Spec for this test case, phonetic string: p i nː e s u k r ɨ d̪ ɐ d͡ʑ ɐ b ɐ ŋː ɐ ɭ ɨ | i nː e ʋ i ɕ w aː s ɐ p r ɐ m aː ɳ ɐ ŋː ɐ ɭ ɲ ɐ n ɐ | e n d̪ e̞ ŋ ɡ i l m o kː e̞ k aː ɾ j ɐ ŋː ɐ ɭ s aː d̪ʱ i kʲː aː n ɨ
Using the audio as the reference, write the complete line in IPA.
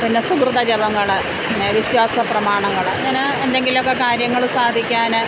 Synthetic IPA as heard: p i nː e s u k r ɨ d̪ ɐ d͡ʑ ɐ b ɐ ŋː ɐ ɭ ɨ | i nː e ʋ i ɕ w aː s ɐ p r ɐ m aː ɳ ɐ ŋː ɐ ɭ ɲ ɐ n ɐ | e n d̪ e̞ ŋ ɡ i l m o kː e̞ k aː ɾ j ɐ ŋː ɐ ɭ s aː d̪ʱ i kʲː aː n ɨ

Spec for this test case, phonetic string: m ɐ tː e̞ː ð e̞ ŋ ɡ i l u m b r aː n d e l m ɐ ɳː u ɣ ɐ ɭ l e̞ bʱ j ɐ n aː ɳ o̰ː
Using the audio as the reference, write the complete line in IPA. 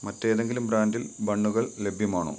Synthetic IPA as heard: m ɐ tː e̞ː ð e̞ ŋ ɡ i l u m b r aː n d i l b ɐ ɳː u ɣ ɐ ɭ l e̞ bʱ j ɐ m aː ɳ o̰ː

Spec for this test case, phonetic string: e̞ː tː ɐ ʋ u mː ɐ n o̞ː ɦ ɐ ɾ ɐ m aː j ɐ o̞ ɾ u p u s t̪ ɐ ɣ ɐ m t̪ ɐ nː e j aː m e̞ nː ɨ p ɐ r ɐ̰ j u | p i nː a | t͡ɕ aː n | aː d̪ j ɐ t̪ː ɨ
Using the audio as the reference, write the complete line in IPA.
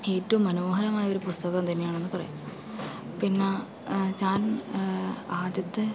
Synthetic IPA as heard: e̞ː tː ɐ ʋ u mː ɐ n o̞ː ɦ ɐ ɾ ɐ m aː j ɐ o̞ ɾ u p u s t̪ ɐ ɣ ɐ m t̪ ɐ nː e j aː ɳ e̞ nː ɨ p ɐ r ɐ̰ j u | p i nː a | t͡ɕ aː n | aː d̪ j ɐ t̪ː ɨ

